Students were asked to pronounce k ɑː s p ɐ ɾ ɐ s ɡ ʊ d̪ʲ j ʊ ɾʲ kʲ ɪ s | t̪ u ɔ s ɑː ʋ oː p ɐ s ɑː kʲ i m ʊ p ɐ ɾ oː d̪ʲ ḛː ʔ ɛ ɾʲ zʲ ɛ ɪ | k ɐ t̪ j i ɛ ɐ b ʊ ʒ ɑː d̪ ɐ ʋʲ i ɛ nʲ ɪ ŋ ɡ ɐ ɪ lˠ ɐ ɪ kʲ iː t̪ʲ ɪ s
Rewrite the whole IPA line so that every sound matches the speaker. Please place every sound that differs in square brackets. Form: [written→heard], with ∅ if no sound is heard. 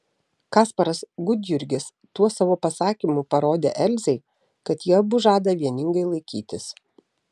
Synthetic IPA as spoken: k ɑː s p ɐ ɾ ɐ s ɡ ʊ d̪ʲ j ʊ ɾʲ [kʲ→ɡʲ] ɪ s | t̪ u ɔ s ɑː ʋ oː p ɐ s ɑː kʲ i m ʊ p ɐ ɾ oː d̪ʲ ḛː ʔ ɛ [ɾʲ→lʲ] zʲ ɛ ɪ | k ɐ t̪ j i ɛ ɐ b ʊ ʒ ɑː d̪ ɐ ʋʲ i ɛ nʲ ɪ ŋ ɡ ɐ ɪ lˠ ɐ ɪ kʲ iː t̪ʲ ɪ s